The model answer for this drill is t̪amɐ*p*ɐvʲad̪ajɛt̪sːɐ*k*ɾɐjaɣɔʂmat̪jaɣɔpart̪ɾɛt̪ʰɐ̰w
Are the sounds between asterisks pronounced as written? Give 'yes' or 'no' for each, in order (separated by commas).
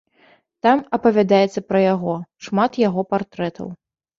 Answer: yes, no